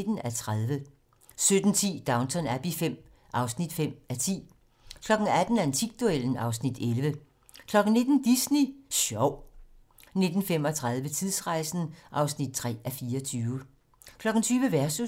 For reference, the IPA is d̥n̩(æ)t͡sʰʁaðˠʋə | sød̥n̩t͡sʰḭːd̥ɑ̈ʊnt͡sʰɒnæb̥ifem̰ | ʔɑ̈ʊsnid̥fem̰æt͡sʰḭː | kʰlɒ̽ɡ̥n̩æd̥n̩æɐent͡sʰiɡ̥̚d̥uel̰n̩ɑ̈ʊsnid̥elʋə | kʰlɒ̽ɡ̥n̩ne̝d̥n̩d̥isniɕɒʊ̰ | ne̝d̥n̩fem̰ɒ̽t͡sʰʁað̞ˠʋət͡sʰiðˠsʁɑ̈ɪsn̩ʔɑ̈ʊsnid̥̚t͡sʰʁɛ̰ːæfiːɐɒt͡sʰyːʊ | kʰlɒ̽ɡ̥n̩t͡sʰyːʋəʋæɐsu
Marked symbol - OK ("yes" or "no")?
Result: yes